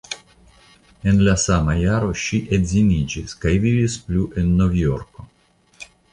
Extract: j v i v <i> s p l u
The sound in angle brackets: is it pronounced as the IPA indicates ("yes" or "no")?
yes